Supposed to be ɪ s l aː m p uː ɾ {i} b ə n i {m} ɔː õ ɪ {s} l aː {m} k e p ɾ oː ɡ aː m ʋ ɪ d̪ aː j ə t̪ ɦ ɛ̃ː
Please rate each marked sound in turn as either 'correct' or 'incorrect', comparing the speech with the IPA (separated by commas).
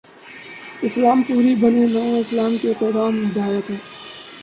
correct, incorrect, correct, correct